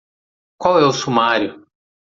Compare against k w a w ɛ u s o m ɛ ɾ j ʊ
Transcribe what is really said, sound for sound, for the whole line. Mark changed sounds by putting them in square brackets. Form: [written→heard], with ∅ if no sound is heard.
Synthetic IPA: k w a w ɛ [u→ʊ] s [o→u] m [ɛ→a] ɾ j ʊ